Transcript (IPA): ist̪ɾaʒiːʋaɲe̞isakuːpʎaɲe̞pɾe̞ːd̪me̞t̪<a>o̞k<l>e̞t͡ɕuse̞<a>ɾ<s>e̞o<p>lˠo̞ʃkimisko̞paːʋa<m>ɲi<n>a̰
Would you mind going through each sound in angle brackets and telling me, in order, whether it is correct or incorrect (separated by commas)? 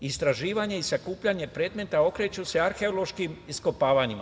correct, incorrect, correct, incorrect, incorrect, incorrect, incorrect